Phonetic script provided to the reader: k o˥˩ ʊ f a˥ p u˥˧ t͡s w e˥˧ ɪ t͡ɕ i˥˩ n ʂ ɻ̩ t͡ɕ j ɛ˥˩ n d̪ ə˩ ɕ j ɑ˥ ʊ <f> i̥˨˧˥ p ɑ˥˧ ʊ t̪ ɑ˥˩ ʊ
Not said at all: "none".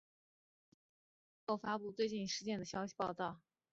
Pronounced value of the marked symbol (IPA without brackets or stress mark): ɕ